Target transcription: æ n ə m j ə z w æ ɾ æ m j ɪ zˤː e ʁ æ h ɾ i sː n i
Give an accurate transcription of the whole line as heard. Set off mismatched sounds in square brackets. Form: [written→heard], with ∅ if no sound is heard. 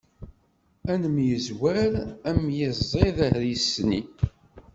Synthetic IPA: æ n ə m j ə z w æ ɾ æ m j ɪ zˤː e [ʁ→ð] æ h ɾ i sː n i